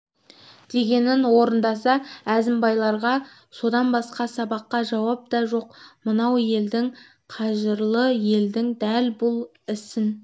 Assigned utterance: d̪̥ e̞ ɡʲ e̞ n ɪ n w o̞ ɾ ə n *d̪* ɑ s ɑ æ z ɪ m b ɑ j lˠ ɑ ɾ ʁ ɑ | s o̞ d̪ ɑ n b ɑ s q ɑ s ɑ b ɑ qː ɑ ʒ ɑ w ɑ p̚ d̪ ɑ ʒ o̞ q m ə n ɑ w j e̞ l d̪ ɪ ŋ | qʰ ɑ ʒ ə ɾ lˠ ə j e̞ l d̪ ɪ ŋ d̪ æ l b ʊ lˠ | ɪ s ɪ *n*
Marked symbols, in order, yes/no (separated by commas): yes, yes